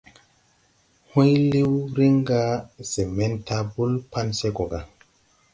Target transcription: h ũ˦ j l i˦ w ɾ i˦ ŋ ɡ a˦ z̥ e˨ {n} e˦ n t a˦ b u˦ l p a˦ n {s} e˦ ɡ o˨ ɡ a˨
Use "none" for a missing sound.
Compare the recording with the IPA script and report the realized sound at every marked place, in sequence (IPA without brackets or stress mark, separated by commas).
m, s